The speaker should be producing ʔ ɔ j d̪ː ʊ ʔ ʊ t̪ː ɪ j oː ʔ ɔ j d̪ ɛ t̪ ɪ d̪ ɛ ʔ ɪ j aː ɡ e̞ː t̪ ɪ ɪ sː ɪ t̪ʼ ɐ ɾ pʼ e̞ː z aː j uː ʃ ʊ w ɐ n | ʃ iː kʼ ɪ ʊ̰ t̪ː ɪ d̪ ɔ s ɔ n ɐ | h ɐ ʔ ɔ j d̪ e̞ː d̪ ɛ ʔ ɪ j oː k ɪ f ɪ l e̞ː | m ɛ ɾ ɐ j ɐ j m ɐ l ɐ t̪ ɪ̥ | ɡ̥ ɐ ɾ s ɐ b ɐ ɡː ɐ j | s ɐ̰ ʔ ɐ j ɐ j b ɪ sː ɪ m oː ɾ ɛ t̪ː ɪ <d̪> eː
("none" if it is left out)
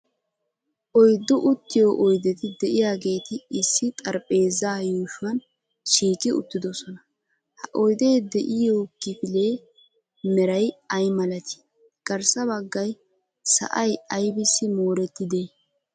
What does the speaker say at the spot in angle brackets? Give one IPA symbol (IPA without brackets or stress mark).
d̪